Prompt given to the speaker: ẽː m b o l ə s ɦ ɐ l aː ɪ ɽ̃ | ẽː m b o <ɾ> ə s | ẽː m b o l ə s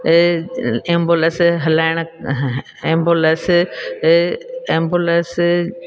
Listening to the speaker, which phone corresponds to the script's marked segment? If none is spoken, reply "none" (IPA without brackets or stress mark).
l